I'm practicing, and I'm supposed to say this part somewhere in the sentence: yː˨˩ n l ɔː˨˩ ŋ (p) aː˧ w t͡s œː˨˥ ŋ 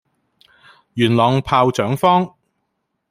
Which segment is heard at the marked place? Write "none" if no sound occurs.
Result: pʰ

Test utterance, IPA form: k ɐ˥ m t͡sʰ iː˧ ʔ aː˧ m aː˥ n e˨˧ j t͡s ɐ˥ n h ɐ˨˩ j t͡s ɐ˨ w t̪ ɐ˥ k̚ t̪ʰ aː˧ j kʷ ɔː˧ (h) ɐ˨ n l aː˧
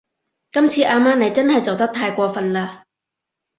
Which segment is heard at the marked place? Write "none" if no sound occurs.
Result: f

